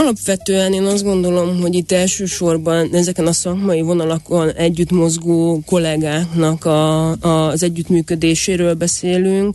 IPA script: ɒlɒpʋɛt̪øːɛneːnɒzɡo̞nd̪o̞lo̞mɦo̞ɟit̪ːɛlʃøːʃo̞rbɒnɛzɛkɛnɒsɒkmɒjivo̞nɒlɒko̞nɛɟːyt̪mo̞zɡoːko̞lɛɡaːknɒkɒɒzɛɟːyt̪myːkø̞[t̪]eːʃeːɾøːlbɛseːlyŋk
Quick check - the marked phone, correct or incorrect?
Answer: incorrect